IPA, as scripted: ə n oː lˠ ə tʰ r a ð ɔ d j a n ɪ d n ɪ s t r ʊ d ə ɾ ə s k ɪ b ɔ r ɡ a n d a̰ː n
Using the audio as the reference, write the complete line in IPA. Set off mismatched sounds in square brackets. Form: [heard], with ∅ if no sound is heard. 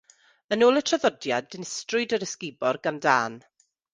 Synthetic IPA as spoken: ə n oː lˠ ə tʰ r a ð ɔ d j a [d] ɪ [∅] n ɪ s t r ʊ d ə ɾ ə s k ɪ b ɔ r ɡ a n d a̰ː n